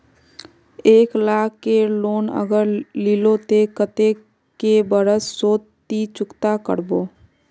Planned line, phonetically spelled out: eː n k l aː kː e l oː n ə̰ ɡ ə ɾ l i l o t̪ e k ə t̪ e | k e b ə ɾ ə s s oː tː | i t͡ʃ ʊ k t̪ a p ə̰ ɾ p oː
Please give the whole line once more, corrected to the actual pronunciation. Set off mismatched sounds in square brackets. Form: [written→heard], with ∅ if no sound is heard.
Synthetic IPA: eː [n→∅] k l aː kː e l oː n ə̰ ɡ ə ɾ l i l o t̪ e k ə t̪ e | k e b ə ɾ ə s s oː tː | i t͡ʃ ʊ k t̪ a [p→k] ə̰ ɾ [p→b] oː

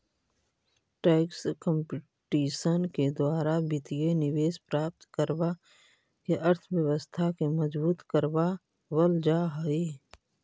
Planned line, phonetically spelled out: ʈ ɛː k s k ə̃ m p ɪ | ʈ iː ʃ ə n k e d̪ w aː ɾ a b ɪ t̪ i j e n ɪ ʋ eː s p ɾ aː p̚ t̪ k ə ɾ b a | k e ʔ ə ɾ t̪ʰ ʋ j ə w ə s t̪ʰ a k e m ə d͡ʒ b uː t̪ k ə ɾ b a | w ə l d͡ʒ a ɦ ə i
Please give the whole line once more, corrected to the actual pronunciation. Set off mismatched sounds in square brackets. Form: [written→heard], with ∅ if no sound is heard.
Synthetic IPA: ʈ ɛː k s k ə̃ m p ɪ | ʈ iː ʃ ə n k e d̪ w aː ɾ a b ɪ t̪ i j e n ɪ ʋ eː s p ɾ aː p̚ t̪ k ə ɾ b a | k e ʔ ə ɾ t̪ʰ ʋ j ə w ə s t̪ʰ a k e m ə d͡ʒ b uː t̪ k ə ɾ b a | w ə l d͡ʒ a ɦ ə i

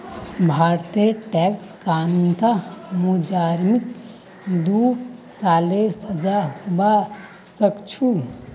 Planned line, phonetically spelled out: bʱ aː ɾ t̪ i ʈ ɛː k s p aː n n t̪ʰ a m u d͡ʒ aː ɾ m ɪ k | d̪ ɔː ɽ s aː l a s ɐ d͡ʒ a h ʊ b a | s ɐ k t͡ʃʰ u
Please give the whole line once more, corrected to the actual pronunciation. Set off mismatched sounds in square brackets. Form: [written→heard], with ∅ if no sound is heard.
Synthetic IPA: bʱ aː ɾ t̪ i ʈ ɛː k s [p→k] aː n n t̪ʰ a m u d͡ʒ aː ɾ m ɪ k | d̪ [ɔː→uː] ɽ s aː l [a→e] s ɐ d͡ʒ a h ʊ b a | s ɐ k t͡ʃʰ u

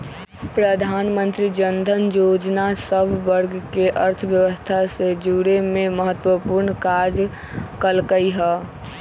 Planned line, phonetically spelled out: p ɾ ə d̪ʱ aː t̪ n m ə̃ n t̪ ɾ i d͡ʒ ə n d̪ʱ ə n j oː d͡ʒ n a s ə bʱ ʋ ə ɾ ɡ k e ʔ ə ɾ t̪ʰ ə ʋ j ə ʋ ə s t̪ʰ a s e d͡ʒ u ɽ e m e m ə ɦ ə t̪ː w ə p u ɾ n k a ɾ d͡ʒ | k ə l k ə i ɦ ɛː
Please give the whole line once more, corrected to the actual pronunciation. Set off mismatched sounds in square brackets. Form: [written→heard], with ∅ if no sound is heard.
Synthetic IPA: p ɾ ə d̪ʱ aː [t̪→∅] n m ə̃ n t̪ ɾ i d͡ʒ ə n d̪ʱ ə n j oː d͡ʒ n a s ə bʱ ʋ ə ɾ ɡ k e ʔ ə ɾ t̪ʰ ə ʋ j ə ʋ ə s t̪ʰ a s e d͡ʒ u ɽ e m e m ə ɦ ə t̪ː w ə p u ɾ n k a ɾ d͡ʒ | k ə l k ə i ɦ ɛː

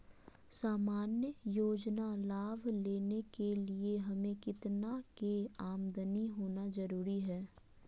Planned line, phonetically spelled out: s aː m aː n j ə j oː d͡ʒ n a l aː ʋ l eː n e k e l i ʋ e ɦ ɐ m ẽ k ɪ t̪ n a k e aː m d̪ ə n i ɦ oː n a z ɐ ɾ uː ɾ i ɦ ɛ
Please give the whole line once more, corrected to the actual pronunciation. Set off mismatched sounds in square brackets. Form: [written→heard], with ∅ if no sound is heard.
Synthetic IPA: s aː m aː n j ə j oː d͡ʒ n a l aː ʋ l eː n e k e l i [ʋ→∅] e ɦ ɐ m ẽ k ɪ t̪ n a k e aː m d̪ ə n i ɦ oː n a z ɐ ɾ uː ɾ i ɦ [ɛ→ɛː]

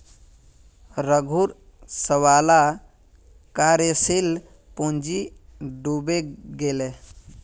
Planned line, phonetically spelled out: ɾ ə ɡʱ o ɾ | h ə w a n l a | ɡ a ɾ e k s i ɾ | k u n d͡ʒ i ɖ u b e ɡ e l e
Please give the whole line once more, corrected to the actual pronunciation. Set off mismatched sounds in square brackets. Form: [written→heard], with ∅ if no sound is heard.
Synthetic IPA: ɾ ə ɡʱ [o→u] ɾ | [h→s] ə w a [n→∅] l a | [ɡ→k] a ɾ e [k→∅] s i [ɾ→l] | [k→p] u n d͡ʒ i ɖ u b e ɡ e l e

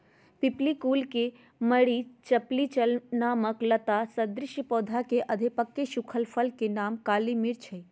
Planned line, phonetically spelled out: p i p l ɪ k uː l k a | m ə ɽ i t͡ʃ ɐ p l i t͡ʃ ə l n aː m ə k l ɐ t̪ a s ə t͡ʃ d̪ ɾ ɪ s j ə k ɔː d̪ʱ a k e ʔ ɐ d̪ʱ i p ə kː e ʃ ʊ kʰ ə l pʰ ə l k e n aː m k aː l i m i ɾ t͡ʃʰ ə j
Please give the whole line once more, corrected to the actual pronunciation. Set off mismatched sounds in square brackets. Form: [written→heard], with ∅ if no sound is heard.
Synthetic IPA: p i p l [ɪ→i] k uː l k [a→e] | m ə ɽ i t͡ʃ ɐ p l i t͡ʃ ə l n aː m ə k l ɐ t̪ a s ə [t͡ʃ→∅] d̪ ɾ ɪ [s→ʃ] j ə [k→p] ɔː d̪ʱ a k e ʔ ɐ d̪ʱ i p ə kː e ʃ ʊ kʰ ə l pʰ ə l k e n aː m k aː l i m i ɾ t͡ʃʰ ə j

